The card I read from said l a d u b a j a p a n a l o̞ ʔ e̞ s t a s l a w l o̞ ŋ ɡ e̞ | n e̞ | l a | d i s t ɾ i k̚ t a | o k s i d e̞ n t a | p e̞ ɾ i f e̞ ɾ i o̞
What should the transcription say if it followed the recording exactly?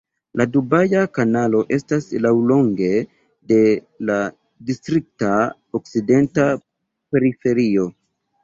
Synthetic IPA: l a d u b a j a k a n a l o̞ ʔ e̞ s t a s l a w l o̞ ŋ ɡ e̞ | d e̞ | l a | d i s t ɾ i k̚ t a | o k s i d e̞ n t a | p e̞ ɾ i f e̞ ɾ i o̞

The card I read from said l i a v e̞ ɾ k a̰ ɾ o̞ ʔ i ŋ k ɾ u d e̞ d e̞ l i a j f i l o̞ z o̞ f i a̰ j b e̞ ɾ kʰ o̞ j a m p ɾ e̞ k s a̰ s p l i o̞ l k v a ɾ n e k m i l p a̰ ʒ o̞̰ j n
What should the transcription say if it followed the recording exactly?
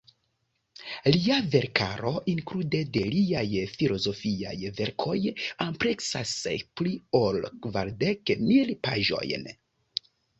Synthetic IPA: l i a v e̞ ɾ k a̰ ɾ o̞ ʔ i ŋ k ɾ u d e̞ d e̞ l i a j f i l o̞ z o̞ f i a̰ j v e̞ ɾ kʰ o̞ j a m p ɾ e̞ k s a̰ s p l i o̞ l k v a ɾ d e k m i l p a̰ ʒ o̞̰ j n

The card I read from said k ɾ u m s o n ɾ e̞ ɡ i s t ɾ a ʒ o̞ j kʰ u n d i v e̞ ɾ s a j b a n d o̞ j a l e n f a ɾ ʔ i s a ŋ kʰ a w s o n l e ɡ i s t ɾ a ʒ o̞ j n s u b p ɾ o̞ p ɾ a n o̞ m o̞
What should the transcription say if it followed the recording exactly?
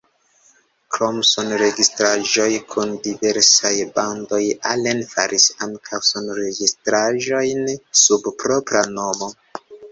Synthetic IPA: k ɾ o m s o n ɾ e̞ ɡ i s t ɾ a ʒ o̞ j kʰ u n d i v e̞ ɾ s a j b a n d o̞ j a l e n f a ɾ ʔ i s a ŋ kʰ a w s o n ɾ e ɡ i s t ɾ a ʒ o̞ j n s u b p ɾ o̞ p ɾ a n o̞ m o̞

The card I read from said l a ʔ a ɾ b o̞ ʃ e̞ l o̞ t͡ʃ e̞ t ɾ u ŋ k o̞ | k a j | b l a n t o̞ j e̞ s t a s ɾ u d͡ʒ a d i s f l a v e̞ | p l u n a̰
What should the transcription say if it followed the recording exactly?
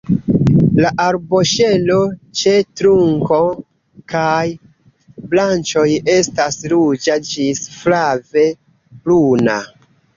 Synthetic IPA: l a ʔ a ɾ b o̞ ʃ e̞ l o̞ t͡ʃ e̞ t ɾ u ŋ k o̞ | k a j | b l a n t͡ʃ o̞ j e̞ s t a s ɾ u d͡ʒ a d͡ʒ i s f l a v e̞ | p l u n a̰

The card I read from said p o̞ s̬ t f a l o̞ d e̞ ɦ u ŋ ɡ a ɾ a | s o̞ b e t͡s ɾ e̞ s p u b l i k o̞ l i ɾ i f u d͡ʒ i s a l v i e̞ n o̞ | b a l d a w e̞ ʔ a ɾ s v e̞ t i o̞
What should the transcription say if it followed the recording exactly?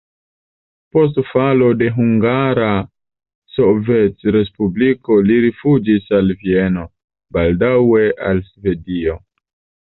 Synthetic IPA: p o̞ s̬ t f a l o̞ d e̞ ɦ u ŋ ɡ a ɾ a | s o̞ v e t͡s ɾ e̞ s p u b l i k o̞ l i ɾ i f u d͡ʒ i s a l v i e̞ n o̞ | b a l d a w e̞ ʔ a l s v e̞ d i o̞

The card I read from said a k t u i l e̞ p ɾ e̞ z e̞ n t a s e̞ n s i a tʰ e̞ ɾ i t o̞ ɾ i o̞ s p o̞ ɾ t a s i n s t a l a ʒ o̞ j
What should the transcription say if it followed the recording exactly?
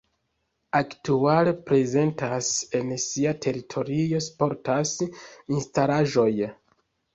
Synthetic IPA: a k t u a l e̞ p ɾ e̞ z e̞ n t a s e̞ n s i a tʰ e̞ ɾ i tʰ o̞ ɾ i o̞ s p o̞ ɾ t a s i n s t a l a ʒ o̞ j

